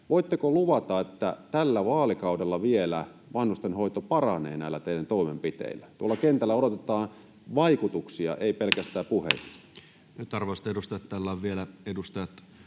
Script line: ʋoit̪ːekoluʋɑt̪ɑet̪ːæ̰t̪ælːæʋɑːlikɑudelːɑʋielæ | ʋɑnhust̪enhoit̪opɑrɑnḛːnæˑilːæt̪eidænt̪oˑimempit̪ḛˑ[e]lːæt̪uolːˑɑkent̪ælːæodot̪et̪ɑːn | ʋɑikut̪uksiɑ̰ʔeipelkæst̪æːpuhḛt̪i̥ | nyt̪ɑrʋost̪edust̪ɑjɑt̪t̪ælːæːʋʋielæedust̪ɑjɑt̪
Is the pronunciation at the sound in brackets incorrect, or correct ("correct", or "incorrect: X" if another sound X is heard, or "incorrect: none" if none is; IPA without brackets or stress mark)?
incorrect: i